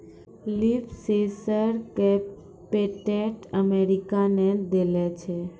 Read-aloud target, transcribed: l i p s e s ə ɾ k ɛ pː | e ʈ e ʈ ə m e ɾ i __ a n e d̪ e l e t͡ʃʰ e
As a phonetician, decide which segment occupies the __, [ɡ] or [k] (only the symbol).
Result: k